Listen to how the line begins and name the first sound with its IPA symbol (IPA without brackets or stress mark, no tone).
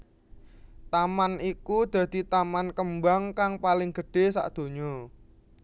t̪